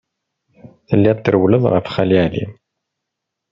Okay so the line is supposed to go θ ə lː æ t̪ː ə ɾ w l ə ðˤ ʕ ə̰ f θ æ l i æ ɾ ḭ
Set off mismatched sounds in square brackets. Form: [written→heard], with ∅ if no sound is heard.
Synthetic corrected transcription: θ ə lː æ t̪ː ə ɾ w l ə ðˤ [ʕ→ʁ] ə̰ f [θ→χ] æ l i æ [ɾ→l] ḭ